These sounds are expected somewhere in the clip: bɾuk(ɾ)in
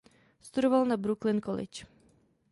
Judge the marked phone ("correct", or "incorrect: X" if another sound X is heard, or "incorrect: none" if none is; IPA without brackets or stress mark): incorrect: l